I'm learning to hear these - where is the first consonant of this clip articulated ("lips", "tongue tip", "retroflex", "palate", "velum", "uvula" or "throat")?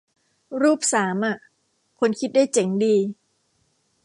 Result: tongue tip